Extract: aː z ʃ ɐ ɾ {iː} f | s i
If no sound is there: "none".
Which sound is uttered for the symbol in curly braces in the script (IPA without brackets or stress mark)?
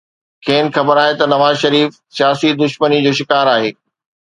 iː